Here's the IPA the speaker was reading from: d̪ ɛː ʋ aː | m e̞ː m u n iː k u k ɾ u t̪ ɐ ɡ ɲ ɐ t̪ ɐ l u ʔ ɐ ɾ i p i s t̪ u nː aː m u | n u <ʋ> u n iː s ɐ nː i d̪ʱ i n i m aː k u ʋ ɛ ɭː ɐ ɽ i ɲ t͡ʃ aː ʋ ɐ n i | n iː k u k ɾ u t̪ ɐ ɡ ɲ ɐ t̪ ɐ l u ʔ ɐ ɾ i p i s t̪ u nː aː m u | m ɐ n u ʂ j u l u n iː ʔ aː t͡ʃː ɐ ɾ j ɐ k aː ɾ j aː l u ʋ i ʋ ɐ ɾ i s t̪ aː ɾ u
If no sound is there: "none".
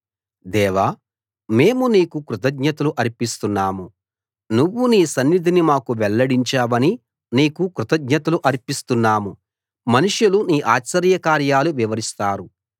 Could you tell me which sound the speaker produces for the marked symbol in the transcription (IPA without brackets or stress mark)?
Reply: ʋː